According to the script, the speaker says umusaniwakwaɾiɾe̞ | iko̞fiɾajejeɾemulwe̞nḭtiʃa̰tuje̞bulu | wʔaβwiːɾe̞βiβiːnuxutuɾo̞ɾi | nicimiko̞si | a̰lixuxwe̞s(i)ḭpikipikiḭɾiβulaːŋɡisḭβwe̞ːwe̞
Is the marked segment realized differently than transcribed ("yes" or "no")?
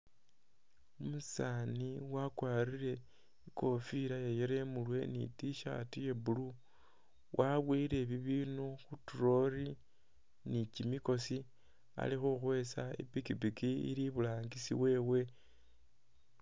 yes